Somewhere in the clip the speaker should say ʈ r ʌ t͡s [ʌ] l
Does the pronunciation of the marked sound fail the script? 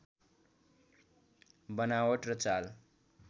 yes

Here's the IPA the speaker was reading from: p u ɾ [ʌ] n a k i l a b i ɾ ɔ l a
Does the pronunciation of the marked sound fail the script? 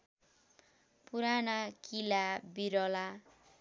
yes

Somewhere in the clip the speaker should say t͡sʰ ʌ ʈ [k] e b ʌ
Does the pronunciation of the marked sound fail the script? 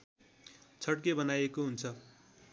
no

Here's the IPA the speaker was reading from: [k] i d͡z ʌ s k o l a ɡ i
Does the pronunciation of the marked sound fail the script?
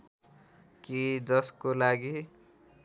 no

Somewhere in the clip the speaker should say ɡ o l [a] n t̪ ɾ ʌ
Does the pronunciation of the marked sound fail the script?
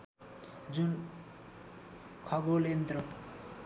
yes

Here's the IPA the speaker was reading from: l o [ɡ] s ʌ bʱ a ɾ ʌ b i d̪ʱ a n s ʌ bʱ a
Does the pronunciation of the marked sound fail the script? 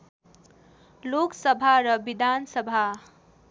yes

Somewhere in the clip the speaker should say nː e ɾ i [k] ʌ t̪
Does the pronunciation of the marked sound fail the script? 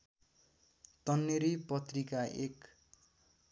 yes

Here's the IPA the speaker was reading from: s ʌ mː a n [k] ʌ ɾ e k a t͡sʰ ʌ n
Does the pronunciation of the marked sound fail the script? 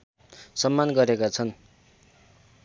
yes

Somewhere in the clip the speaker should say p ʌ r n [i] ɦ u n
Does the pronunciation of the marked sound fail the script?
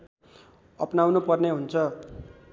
yes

